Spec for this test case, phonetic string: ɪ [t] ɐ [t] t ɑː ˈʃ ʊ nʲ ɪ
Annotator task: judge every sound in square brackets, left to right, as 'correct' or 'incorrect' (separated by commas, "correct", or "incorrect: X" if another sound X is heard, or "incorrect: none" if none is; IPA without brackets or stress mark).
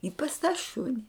incorrect: p, incorrect: s